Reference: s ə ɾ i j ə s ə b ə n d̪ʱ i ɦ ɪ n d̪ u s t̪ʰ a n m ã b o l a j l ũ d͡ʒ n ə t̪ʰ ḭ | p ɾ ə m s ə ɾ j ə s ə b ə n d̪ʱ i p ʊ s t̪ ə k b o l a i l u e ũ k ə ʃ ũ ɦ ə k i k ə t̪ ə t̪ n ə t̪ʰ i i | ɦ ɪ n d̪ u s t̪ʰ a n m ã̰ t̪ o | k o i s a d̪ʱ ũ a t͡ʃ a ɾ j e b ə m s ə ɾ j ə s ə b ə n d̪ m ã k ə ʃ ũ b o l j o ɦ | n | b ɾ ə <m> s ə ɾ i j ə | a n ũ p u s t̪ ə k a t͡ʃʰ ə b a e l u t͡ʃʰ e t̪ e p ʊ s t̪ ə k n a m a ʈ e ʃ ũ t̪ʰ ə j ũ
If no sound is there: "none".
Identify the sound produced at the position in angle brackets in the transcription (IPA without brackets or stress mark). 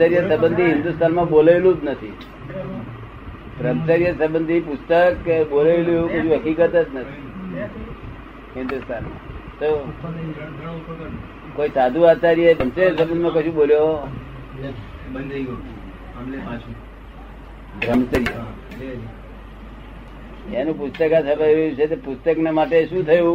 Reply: m